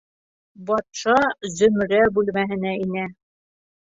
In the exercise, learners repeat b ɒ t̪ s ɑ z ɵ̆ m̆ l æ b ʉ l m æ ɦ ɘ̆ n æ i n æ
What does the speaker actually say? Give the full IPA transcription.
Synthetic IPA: b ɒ t̪ ʃ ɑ z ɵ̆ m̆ ɾ æ b ʉ l m æ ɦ ɘ̆ n æ i n æ